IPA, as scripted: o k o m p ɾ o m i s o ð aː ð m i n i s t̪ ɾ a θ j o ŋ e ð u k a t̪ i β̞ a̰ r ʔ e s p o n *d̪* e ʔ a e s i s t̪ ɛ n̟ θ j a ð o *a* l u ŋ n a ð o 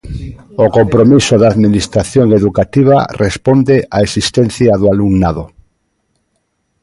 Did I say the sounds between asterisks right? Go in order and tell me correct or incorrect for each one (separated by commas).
correct, correct